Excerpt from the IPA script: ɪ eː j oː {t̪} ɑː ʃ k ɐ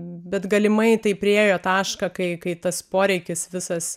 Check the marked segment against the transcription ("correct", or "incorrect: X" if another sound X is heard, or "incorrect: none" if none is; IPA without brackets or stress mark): correct